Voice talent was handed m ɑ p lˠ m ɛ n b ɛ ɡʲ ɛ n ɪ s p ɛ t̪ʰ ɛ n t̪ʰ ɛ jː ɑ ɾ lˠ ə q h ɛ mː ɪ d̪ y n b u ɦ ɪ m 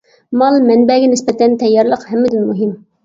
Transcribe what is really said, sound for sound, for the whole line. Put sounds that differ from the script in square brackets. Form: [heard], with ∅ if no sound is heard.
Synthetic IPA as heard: m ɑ [∅] lˠ m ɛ n b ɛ ɡʲ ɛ n ɪ s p ɛ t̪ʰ ɛ n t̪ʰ ɛ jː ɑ ɾ lˠ ə q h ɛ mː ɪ d̪ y n [m] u ɦ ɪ m